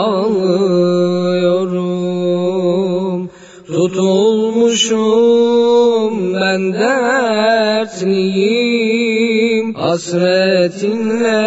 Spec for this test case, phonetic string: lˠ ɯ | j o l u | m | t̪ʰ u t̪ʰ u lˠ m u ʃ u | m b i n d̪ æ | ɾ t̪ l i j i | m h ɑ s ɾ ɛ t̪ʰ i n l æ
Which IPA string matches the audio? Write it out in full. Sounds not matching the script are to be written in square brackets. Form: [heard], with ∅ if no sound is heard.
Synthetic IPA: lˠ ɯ | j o [ɾ] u | m | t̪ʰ u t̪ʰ u lˠ m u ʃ u | m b [æ] n d̪ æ | ɾ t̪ l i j i | m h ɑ s ɾ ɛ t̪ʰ i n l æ